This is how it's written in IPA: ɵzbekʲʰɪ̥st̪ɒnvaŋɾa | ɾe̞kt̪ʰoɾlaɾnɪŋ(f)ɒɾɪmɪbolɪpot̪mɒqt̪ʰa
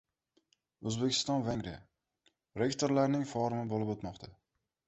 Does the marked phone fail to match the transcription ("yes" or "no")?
no